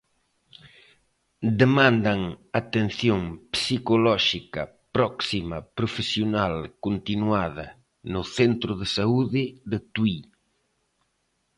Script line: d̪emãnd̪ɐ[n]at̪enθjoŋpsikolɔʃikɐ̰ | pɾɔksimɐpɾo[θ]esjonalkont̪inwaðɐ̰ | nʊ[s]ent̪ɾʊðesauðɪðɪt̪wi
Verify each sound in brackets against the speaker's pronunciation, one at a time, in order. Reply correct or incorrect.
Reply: incorrect, incorrect, incorrect

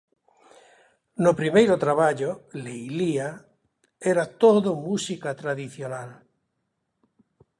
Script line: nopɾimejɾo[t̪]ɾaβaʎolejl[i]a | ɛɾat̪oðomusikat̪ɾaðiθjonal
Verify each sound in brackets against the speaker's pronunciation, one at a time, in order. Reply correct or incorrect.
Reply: correct, correct

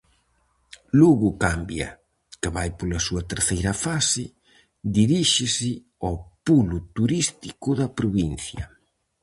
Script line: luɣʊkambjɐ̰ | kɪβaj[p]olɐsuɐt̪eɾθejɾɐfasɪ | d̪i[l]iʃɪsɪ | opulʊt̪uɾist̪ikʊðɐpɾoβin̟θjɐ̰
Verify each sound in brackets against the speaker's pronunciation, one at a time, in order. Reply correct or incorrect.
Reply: correct, incorrect

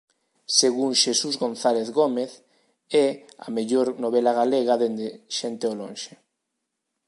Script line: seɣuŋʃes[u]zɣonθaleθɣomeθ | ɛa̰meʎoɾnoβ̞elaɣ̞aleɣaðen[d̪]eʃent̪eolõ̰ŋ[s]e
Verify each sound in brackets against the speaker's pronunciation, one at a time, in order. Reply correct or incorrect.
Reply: correct, correct, incorrect

